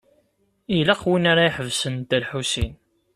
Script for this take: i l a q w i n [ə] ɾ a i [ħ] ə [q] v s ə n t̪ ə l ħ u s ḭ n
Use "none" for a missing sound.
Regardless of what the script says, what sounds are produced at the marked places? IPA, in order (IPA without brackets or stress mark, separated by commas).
a, ħ, none